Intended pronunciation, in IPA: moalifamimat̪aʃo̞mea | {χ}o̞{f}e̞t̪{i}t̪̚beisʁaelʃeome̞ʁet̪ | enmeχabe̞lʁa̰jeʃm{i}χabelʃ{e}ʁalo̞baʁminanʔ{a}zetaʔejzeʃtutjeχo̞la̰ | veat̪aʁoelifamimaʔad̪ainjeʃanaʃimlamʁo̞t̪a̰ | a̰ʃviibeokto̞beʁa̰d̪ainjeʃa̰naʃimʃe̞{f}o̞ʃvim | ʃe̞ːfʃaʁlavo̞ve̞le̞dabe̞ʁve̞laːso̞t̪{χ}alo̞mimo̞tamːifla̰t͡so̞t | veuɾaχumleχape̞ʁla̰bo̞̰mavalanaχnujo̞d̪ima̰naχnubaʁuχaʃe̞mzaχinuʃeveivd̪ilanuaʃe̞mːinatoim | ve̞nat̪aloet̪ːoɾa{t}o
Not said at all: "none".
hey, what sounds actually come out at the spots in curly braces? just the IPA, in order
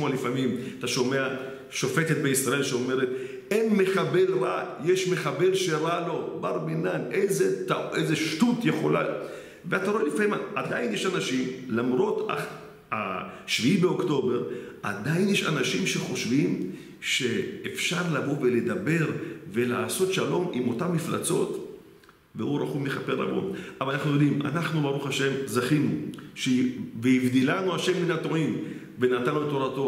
ʃ, f, e, e, e, e, χ, ʃ, t

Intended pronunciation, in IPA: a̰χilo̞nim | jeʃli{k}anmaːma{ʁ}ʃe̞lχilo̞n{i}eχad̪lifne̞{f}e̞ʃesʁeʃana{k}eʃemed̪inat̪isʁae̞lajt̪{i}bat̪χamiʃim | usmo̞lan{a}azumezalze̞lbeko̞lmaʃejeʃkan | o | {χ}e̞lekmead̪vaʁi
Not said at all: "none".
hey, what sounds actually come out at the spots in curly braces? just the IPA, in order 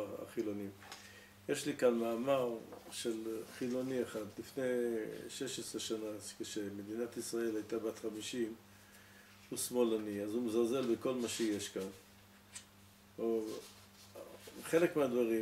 k, ʁ, i, ʃ, k, a, i, χ

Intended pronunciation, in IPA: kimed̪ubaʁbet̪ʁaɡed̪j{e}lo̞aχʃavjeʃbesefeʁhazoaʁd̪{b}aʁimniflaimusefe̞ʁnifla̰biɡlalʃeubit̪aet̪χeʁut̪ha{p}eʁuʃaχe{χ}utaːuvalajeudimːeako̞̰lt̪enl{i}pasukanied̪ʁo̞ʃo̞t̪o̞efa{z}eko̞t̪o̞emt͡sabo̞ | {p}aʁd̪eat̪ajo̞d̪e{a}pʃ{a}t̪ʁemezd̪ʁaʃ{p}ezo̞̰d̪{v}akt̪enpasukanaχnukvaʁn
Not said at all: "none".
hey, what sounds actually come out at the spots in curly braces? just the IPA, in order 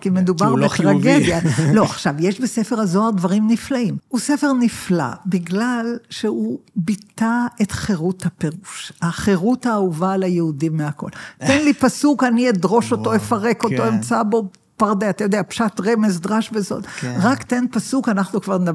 a, v, p, ʁ, i, ʁ, p, a, a, b, ʁ

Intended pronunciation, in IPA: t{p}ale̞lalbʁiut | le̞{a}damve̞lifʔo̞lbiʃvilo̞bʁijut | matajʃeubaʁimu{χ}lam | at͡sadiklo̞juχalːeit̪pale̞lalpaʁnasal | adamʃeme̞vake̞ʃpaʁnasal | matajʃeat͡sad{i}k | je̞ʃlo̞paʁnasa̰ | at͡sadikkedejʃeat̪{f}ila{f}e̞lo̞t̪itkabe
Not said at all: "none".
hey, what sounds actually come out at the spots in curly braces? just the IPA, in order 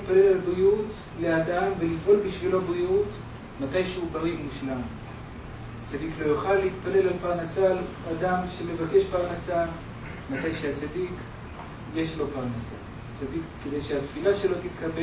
p, a, ʃ, i, f, ʃ

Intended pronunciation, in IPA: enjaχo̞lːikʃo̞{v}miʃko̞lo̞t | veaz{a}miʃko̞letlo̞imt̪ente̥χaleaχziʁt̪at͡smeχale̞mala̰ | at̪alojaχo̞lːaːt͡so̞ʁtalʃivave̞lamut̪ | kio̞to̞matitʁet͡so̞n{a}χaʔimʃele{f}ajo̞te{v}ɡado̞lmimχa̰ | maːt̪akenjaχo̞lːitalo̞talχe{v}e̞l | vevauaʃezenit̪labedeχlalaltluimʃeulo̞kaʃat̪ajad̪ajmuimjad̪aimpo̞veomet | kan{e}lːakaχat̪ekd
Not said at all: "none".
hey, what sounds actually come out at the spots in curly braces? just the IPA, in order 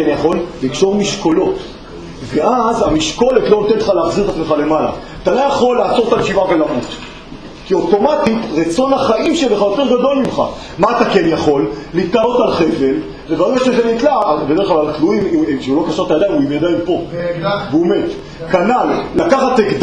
ʁ, a, a, χ, ʁ, v, a

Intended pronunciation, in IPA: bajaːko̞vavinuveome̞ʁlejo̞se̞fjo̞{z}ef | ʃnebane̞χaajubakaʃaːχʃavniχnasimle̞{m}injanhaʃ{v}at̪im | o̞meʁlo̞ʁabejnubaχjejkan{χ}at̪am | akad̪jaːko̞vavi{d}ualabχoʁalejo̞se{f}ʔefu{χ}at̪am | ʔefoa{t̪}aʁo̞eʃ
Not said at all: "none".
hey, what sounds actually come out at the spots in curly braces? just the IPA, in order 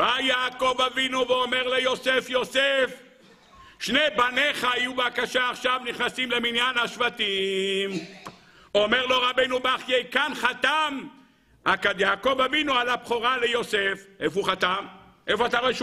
s, m, v, χ, n, f, χ, t̪

